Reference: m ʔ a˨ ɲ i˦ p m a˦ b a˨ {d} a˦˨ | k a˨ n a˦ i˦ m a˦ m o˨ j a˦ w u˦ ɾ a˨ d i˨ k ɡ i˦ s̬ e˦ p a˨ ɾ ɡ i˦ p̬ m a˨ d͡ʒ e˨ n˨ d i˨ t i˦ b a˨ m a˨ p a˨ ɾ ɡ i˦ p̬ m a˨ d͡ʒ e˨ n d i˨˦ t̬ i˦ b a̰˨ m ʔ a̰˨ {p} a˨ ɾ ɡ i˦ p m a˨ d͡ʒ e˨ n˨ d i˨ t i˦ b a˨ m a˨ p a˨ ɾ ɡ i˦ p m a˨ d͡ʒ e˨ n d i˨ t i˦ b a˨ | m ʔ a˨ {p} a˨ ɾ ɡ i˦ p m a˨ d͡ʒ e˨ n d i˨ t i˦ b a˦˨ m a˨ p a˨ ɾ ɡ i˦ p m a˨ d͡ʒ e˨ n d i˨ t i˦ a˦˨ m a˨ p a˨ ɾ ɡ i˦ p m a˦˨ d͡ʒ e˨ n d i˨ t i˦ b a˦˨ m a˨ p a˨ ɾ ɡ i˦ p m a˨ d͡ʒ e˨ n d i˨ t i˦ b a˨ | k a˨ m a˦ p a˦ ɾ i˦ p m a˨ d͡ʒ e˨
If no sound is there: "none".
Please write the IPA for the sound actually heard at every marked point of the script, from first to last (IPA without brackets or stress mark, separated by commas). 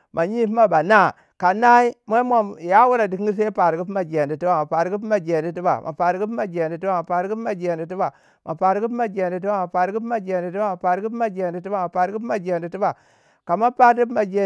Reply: n, p, p